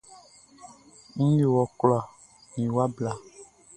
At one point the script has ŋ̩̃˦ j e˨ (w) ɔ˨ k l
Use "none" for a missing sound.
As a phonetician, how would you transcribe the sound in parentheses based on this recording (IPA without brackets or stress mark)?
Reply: w